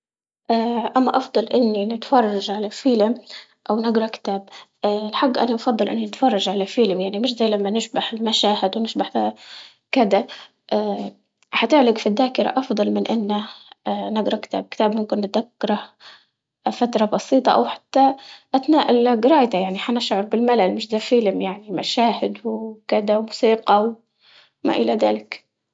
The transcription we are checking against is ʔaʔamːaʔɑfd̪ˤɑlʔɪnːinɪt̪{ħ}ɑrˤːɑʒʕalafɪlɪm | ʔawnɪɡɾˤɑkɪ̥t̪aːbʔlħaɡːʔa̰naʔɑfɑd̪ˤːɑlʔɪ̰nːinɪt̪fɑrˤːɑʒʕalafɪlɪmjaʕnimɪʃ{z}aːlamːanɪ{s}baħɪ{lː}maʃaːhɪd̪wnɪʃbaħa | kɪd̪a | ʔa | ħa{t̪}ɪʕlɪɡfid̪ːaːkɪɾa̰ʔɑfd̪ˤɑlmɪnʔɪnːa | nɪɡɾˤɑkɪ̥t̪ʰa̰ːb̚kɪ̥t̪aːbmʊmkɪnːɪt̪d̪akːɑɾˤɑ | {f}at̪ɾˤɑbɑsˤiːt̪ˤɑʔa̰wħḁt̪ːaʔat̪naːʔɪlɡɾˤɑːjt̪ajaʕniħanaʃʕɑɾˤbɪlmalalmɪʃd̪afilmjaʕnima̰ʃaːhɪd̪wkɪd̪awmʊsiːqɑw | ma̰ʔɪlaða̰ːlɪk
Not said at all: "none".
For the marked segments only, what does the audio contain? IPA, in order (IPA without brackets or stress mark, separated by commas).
f, z, ʃ, l, t̪, f